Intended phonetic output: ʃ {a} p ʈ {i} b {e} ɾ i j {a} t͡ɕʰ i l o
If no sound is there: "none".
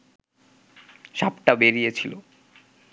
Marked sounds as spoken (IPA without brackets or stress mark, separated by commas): a, a, e, e